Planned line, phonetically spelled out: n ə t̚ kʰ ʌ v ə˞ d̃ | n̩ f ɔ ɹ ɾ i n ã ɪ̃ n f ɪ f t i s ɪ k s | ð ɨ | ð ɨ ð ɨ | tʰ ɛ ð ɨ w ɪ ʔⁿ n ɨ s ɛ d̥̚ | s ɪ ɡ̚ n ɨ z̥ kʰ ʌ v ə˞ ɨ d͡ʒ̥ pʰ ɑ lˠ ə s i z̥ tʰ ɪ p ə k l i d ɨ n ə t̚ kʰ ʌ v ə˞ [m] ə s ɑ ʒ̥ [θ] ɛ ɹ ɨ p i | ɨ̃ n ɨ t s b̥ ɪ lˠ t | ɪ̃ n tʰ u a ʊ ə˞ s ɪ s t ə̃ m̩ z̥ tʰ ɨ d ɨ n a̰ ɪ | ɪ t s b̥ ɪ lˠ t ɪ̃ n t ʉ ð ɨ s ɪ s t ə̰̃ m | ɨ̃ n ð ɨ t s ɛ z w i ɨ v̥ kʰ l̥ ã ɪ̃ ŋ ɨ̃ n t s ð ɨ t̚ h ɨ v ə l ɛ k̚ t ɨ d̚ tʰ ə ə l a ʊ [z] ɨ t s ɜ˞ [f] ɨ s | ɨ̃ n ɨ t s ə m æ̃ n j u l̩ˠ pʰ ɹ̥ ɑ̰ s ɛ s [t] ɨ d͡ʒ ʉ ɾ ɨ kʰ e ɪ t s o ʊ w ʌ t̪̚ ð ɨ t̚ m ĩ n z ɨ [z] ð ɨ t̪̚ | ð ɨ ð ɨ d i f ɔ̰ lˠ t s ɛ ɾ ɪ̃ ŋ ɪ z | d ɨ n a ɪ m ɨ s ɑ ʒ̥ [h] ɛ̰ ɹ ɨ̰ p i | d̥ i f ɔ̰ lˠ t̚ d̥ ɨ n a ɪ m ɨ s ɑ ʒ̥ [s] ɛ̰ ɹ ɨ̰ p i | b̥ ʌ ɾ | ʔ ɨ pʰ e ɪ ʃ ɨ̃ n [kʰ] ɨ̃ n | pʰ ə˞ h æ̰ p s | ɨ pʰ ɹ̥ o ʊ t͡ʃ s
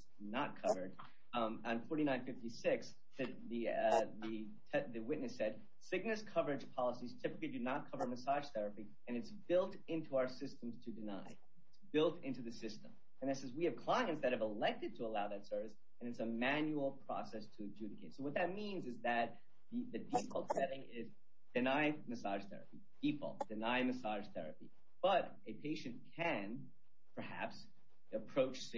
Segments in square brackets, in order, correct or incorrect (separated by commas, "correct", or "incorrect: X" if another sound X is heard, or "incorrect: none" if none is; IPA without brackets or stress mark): correct, correct, incorrect: ð, incorrect: v, incorrect: tʰ, correct, incorrect: θ, incorrect: θ, correct